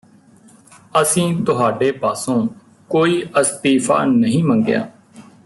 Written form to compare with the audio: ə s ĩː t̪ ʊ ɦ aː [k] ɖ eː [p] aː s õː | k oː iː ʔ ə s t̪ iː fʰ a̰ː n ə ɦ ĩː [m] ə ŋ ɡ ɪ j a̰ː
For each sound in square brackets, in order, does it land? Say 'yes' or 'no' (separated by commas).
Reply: no, yes, yes